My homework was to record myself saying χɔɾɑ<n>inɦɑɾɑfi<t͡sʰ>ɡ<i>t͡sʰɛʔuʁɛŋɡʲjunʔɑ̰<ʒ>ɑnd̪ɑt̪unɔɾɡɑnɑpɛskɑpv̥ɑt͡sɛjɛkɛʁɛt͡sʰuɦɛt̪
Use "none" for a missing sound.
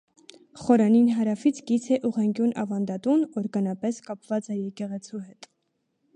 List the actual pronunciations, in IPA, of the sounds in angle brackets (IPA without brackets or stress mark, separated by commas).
n, t͡sʰ, i, v